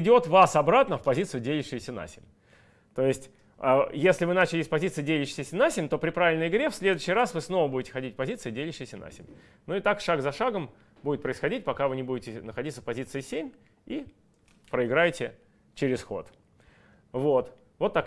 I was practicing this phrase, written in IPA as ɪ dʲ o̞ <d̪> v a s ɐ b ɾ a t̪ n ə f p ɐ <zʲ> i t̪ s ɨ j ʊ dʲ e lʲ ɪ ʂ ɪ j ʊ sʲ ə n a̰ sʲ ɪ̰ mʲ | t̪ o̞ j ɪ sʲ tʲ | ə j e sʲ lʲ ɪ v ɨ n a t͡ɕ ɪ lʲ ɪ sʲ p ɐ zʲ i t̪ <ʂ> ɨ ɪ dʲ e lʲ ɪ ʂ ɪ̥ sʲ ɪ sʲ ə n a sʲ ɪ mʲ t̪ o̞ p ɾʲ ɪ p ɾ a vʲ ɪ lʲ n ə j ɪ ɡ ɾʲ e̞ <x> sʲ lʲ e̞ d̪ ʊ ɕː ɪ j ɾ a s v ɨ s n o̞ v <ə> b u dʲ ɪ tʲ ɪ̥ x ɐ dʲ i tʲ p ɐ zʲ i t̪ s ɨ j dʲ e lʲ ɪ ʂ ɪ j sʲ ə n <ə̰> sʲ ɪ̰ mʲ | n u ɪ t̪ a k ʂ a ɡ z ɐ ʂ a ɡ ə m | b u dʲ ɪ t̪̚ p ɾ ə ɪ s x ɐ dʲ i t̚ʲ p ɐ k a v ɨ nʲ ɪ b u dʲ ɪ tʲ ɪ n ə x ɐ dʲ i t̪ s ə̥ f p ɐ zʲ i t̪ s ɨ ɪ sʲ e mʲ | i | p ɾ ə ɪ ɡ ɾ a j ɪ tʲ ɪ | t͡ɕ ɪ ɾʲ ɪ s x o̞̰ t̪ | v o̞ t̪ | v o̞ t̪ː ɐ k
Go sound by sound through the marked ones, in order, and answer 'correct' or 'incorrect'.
incorrect: t̪, correct, incorrect: s, incorrect: f, correct, incorrect: a̰

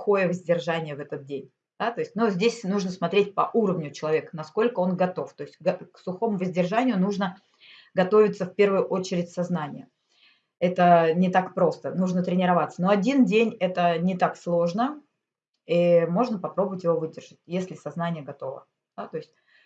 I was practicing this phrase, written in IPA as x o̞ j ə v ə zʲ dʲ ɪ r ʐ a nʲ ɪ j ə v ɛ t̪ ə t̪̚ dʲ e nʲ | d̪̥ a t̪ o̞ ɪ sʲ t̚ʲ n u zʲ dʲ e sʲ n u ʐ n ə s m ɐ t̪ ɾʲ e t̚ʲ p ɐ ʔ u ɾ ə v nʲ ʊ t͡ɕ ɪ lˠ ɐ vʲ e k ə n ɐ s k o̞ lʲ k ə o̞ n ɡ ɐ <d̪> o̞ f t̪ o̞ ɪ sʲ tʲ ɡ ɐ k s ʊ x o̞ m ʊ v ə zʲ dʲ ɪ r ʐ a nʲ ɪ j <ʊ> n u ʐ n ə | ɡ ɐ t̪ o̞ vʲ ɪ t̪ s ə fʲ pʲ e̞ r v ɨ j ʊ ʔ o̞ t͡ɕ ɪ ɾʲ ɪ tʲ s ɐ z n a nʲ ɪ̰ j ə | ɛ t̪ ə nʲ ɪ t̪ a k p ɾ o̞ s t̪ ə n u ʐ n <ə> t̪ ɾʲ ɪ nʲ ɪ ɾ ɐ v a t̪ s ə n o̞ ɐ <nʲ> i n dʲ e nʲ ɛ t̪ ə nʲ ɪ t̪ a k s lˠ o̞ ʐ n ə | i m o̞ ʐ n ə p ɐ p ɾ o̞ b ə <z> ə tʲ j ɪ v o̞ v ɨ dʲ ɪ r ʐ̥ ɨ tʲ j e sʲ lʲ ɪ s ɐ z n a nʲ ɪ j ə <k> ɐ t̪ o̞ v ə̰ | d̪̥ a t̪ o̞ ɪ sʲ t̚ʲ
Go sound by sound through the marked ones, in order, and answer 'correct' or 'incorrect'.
incorrect: t̪, correct, correct, incorrect: dʲ, incorrect: v, incorrect: ɡ

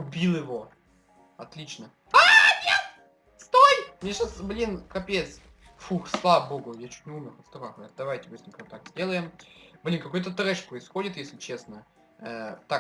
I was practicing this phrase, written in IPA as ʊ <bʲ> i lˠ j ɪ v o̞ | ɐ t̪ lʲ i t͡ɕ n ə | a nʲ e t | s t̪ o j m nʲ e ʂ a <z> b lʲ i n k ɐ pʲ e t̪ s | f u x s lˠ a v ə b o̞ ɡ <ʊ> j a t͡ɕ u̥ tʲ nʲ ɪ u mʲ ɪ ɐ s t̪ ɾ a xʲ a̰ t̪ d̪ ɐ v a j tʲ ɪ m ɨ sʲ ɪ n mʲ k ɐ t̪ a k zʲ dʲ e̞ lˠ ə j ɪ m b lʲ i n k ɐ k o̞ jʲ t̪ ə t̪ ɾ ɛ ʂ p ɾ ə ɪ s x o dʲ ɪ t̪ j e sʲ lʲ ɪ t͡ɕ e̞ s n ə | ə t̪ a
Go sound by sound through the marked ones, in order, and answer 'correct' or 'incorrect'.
correct, incorrect: s, correct

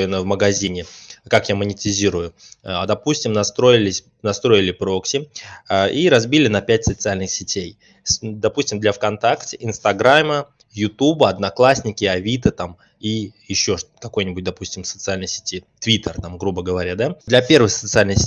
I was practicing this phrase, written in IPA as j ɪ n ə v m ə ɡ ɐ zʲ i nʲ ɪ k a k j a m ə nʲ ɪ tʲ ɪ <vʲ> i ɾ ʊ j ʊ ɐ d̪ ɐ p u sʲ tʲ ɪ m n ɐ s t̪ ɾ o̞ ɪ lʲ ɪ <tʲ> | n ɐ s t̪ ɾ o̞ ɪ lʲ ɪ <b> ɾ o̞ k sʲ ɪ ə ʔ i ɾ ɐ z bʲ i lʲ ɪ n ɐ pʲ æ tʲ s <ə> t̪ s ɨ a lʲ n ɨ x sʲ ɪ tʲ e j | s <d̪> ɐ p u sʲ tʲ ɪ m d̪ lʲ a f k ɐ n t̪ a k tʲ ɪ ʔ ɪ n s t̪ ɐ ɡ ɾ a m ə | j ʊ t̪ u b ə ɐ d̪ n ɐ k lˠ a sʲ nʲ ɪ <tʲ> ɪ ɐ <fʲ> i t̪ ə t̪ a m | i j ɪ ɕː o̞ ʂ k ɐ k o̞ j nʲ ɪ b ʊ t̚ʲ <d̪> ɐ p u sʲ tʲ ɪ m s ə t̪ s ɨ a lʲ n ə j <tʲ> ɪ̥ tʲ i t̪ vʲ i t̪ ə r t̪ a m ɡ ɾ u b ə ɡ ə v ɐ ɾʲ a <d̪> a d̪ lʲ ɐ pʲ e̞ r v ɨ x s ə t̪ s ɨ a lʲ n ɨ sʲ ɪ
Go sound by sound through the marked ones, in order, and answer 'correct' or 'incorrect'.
incorrect: zʲ, incorrect: sʲ, incorrect: p, correct, correct, incorrect: kʲ, incorrect: vʲ, correct, incorrect: sʲ, correct

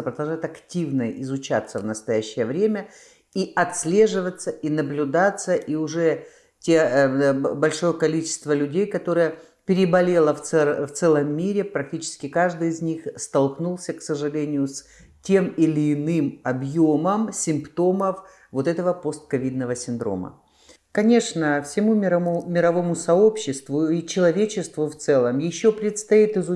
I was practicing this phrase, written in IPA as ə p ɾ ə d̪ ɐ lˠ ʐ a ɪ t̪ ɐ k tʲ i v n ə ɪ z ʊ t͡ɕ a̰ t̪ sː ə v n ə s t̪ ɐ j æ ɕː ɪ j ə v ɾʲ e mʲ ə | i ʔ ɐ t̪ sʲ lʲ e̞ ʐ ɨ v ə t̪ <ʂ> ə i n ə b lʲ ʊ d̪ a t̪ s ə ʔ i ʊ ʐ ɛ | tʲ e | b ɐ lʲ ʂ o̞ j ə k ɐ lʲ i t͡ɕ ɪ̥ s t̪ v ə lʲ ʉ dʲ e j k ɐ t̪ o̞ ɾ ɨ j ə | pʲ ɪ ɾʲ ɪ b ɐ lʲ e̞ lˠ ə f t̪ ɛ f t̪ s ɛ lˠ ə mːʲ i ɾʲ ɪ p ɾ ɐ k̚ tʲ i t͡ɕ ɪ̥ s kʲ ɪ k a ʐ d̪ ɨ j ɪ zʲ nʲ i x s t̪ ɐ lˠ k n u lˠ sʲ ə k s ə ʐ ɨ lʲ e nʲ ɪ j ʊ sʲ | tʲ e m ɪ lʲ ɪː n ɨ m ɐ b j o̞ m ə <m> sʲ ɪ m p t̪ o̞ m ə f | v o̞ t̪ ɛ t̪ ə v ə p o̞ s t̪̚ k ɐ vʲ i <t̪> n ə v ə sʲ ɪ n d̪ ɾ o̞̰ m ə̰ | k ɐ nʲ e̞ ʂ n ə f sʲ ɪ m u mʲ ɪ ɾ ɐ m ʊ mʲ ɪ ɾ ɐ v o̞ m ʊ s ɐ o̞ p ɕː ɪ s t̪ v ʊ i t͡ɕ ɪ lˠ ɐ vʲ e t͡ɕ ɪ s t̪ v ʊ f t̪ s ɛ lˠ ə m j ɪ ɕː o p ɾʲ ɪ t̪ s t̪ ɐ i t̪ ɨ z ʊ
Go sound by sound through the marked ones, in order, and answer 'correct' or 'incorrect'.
incorrect: s, correct, incorrect: d̪

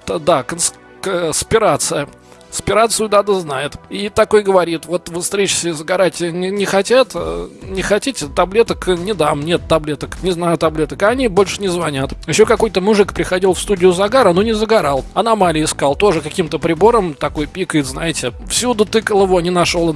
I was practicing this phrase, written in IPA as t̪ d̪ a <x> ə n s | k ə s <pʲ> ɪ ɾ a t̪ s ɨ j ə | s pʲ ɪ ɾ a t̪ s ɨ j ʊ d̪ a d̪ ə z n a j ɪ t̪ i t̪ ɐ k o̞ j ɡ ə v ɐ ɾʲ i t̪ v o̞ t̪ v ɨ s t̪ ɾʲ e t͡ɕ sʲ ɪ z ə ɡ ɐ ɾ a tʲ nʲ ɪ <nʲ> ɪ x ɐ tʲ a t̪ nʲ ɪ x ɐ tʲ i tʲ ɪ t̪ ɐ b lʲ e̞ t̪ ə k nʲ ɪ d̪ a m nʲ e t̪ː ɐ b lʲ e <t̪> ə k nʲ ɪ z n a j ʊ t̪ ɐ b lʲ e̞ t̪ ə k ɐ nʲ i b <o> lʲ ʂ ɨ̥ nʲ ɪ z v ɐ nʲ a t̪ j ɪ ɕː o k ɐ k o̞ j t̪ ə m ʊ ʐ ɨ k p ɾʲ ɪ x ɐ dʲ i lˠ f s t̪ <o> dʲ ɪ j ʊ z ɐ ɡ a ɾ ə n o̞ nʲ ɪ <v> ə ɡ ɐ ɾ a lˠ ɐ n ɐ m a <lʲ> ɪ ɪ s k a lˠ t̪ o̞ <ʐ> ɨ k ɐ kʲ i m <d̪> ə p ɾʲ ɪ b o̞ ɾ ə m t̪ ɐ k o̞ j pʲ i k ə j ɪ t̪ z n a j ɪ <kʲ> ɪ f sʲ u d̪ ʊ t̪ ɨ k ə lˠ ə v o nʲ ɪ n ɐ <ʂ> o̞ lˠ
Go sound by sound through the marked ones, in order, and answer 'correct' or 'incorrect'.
incorrect: k, correct, correct, correct, correct, incorrect: u, incorrect: z, correct, correct, incorrect: t̪, incorrect: tʲ, correct

